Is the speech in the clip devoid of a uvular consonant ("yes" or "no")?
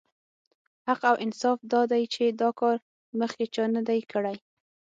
no